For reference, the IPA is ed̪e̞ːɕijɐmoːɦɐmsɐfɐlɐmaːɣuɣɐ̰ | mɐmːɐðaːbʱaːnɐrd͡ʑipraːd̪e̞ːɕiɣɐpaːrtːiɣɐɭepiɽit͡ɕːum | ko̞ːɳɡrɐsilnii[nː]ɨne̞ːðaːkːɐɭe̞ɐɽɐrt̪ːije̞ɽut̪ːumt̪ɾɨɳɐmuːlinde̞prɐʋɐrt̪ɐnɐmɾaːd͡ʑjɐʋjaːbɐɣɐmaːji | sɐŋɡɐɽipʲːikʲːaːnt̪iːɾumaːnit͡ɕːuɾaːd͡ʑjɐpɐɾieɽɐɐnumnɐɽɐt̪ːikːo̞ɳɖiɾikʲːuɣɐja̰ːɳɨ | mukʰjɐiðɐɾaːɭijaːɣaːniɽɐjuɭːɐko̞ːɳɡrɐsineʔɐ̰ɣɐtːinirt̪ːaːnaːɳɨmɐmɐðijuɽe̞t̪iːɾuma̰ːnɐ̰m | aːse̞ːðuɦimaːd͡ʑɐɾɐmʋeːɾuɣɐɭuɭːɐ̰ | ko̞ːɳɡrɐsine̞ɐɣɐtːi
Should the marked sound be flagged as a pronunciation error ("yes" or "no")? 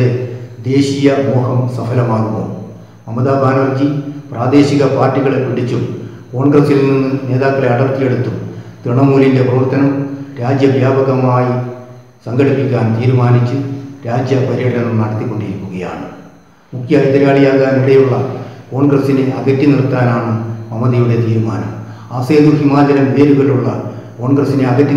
no